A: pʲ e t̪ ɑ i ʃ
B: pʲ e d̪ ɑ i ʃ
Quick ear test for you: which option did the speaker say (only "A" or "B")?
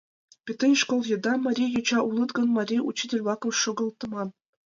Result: A